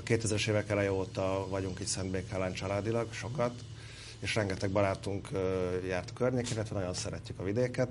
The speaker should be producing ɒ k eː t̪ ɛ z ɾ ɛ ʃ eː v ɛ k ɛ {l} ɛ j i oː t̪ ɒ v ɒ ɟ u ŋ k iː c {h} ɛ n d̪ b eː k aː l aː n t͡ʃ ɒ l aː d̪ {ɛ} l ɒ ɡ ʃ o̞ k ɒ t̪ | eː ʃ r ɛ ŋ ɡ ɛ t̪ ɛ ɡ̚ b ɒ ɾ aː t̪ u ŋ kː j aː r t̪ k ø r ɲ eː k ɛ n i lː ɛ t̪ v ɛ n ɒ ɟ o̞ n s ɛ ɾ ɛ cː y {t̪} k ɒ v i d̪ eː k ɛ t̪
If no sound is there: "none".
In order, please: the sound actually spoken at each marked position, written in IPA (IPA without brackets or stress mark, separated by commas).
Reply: l, s, i, none